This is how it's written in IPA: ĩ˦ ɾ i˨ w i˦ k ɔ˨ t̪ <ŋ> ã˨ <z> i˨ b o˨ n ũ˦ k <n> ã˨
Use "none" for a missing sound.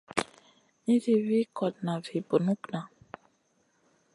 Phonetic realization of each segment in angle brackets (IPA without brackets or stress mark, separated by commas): n, v, n